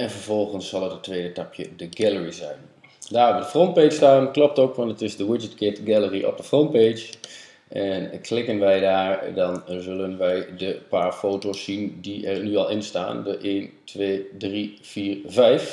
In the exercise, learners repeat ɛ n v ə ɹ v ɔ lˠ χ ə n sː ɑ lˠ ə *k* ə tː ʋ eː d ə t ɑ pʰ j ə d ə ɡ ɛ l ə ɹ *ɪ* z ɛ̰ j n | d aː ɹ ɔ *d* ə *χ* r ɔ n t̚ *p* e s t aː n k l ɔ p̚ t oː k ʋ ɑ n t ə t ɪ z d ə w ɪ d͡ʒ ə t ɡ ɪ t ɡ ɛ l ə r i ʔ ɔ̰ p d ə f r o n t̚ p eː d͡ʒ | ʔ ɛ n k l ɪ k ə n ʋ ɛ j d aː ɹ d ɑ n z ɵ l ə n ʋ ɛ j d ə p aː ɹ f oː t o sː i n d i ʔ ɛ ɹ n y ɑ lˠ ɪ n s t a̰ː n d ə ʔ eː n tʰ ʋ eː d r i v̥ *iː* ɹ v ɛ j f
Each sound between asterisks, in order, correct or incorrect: incorrect, incorrect, correct, incorrect, correct, correct

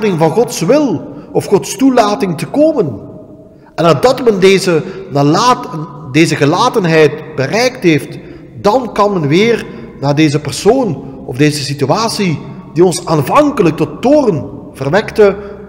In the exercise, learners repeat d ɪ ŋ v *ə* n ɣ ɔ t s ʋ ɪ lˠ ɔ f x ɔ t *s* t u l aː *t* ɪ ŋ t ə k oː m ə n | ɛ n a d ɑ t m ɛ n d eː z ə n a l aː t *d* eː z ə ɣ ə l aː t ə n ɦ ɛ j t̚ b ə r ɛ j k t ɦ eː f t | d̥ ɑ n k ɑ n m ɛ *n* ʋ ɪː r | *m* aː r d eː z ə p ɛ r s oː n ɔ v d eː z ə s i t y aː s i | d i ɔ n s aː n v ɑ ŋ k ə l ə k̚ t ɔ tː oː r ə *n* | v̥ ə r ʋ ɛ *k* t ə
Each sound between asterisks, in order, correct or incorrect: incorrect, correct, correct, correct, correct, incorrect, correct, correct

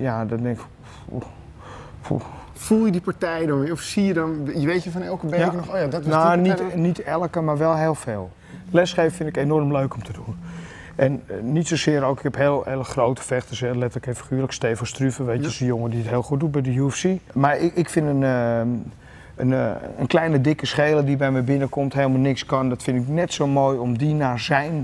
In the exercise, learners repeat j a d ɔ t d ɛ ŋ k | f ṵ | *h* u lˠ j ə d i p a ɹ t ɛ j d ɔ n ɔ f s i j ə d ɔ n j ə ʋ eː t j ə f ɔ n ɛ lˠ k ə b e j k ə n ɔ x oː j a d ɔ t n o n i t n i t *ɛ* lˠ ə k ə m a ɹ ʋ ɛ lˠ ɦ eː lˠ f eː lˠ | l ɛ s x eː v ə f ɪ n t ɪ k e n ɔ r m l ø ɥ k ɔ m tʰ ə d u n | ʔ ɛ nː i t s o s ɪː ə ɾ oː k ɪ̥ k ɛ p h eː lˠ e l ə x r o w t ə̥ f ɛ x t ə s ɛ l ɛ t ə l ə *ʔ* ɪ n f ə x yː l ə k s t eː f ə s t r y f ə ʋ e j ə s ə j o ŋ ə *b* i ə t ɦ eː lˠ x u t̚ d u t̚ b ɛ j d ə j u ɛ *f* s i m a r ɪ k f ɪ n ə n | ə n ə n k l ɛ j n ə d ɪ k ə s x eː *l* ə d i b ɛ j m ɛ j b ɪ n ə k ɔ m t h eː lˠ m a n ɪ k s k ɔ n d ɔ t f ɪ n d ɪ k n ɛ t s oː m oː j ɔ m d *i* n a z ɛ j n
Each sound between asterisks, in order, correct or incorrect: incorrect, correct, incorrect, incorrect, correct, correct, correct

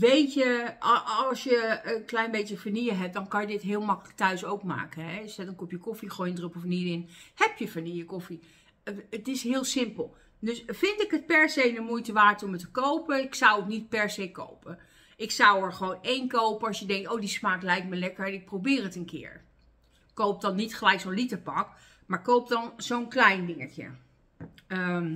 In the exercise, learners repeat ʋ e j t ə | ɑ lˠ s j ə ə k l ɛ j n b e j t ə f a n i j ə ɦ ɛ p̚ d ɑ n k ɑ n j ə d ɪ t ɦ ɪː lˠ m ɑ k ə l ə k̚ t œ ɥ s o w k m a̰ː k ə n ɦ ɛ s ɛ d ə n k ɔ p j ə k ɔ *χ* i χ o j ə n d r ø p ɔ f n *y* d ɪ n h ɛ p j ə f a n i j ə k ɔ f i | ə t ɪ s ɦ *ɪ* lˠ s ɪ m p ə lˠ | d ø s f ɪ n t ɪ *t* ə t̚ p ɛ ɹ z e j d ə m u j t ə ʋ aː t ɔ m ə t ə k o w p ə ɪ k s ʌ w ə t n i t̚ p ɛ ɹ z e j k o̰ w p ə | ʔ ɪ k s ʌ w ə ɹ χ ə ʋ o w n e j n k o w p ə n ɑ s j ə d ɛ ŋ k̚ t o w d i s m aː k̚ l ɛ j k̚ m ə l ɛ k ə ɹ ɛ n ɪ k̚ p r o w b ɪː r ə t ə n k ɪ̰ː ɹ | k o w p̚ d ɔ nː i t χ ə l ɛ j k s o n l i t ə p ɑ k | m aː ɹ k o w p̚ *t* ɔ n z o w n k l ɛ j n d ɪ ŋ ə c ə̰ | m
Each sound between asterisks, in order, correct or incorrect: incorrect, incorrect, incorrect, incorrect, incorrect

